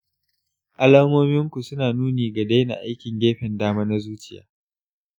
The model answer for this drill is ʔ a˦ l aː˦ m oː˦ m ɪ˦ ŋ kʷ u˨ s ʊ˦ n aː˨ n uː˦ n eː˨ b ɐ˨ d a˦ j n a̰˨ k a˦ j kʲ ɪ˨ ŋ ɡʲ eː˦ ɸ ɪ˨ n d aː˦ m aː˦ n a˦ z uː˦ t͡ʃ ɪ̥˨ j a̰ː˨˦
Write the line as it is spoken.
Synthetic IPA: ʔ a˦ l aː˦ m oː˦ m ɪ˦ ŋ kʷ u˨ s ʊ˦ n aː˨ n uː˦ n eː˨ ɡ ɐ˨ d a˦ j n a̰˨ ʔ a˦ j kʲ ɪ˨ ŋ ɡʲ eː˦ ɸ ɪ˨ n d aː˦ m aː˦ n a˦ z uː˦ t͡ʃ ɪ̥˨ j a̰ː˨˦